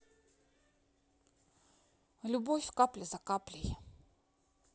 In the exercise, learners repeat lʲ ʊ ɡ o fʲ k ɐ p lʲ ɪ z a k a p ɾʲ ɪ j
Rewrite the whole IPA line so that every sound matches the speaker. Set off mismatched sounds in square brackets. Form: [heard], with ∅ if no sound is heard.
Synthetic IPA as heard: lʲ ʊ [b] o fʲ k [a] p lʲ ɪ z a k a p [lʲ] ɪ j